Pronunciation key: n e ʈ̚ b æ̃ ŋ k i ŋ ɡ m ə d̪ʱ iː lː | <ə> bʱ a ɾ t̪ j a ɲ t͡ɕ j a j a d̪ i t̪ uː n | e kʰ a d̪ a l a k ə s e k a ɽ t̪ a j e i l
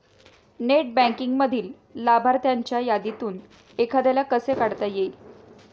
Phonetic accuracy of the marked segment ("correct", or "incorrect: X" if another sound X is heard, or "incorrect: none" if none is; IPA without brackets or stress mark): incorrect: a